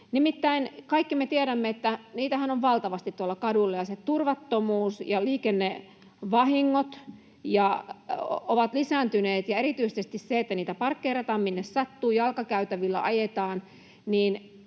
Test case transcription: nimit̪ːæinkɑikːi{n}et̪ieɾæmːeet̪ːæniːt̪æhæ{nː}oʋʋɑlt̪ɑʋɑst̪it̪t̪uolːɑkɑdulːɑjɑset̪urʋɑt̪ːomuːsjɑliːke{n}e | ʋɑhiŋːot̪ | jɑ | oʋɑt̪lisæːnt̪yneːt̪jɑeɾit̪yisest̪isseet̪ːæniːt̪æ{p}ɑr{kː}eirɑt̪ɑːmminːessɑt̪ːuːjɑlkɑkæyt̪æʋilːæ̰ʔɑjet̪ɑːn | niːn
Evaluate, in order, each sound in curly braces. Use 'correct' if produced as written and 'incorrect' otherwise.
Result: incorrect, incorrect, incorrect, correct, correct

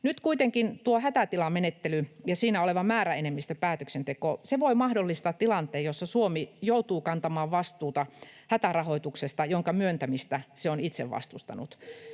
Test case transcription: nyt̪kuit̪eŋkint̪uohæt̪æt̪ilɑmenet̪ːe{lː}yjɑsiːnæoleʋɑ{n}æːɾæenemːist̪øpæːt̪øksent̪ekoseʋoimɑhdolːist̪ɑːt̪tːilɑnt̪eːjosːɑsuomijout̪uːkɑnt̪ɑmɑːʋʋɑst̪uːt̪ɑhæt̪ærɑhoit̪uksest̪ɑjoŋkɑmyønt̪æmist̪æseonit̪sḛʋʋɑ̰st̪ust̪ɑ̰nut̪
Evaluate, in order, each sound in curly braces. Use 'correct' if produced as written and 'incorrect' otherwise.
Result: incorrect, incorrect

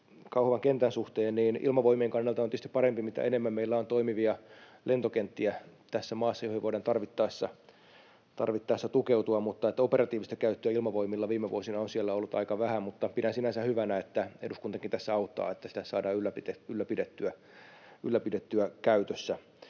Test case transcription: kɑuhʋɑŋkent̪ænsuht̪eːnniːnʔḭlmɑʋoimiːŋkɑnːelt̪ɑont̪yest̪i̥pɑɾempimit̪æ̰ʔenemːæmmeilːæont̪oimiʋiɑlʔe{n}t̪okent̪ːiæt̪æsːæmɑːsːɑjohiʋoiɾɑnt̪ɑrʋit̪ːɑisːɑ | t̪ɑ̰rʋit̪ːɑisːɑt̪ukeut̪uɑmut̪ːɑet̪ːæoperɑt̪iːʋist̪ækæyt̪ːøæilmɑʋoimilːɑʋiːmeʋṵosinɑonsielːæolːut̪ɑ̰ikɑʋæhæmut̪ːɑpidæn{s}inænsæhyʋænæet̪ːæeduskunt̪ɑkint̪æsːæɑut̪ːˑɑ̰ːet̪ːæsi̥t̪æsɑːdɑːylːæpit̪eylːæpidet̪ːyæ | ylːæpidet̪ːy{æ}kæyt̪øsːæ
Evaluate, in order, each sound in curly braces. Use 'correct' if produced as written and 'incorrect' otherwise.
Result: correct, correct, correct

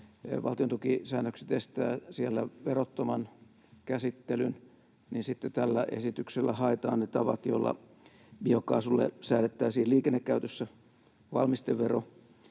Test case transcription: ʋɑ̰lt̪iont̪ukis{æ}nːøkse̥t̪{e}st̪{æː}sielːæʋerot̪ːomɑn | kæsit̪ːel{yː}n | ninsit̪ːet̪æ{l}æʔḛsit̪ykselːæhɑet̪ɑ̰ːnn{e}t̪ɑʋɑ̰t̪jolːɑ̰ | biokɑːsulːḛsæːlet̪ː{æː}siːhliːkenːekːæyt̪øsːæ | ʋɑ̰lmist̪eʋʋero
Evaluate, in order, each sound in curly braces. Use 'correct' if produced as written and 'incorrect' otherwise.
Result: incorrect, correct, correct, incorrect, incorrect, correct, correct

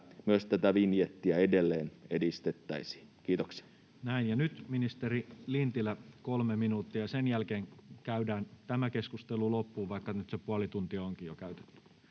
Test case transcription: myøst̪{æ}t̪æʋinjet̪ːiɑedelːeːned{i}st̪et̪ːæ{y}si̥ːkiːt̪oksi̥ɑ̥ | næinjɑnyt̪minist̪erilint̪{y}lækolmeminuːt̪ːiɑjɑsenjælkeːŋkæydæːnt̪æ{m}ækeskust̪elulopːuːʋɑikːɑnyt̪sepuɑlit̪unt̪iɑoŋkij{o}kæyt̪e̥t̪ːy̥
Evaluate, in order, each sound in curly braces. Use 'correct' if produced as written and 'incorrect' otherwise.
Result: correct, correct, incorrect, incorrect, correct, correct

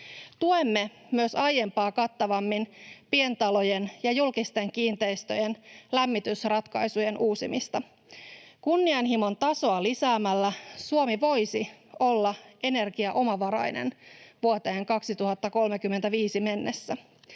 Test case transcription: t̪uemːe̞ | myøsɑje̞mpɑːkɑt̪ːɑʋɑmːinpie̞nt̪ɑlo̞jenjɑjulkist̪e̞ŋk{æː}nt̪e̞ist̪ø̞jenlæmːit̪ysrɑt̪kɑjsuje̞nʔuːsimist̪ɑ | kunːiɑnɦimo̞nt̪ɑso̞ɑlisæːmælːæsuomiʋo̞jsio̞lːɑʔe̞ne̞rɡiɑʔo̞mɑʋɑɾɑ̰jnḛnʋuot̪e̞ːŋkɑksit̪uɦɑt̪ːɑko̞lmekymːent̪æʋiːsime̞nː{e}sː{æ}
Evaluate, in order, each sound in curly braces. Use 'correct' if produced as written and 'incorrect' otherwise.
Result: incorrect, correct, correct

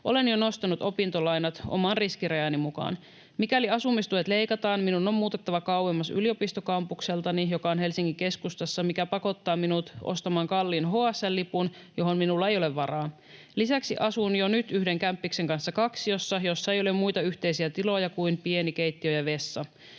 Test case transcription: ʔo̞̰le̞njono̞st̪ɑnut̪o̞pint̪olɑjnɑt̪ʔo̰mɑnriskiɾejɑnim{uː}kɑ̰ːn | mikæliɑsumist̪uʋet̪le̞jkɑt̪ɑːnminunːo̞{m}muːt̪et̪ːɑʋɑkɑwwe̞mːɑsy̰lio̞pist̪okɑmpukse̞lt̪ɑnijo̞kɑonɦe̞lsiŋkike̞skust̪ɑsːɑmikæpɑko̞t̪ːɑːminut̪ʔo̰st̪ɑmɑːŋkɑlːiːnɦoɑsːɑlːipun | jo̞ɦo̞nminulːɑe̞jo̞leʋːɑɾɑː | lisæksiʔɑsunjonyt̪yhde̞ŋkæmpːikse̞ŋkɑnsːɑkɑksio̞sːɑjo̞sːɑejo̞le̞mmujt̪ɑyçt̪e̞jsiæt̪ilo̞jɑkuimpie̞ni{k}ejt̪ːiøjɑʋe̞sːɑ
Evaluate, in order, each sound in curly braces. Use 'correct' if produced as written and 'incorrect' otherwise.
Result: incorrect, correct, correct

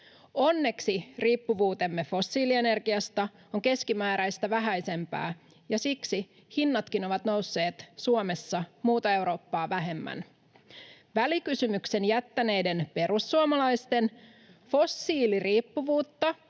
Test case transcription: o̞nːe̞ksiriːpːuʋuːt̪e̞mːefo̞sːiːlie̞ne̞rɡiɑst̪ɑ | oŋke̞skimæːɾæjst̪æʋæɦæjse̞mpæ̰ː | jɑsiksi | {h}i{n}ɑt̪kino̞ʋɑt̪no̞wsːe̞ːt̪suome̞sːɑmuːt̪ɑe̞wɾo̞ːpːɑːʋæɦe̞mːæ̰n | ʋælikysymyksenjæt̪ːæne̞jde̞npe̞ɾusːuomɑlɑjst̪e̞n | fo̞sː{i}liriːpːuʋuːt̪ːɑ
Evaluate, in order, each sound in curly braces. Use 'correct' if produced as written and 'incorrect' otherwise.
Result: correct, incorrect, incorrect

